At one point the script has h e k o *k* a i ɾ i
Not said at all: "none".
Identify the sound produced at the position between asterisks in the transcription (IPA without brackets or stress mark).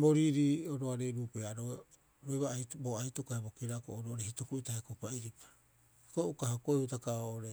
p